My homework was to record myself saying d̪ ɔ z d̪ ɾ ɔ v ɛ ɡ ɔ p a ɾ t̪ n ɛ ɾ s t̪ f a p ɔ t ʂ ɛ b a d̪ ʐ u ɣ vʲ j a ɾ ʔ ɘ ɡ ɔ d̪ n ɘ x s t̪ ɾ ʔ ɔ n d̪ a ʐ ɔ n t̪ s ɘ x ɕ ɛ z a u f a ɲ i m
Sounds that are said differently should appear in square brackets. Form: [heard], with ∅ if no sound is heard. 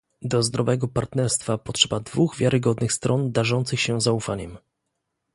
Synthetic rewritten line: d̪ ɔ z d̪ ɾ ɔ v ɛ ɡ ɔ p a ɾ t̪ n ɛ ɾ s t̪ f a p ɔ t ʂ ɛ b a d̪ [v] u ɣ vʲ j a ɾ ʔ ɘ ɡ ɔ d̪ n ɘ x s t̪ ɾ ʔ ɔ n d̪ a ʐ ɔ n t̪ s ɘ x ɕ ɛ z a u f a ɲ [ɛ] m